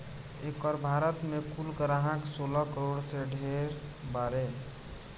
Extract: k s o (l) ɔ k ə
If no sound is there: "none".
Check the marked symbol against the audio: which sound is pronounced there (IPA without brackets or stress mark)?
l